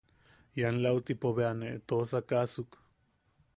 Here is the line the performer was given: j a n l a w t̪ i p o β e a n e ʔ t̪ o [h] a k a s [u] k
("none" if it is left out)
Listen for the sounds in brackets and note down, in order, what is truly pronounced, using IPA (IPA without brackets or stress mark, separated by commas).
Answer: s, u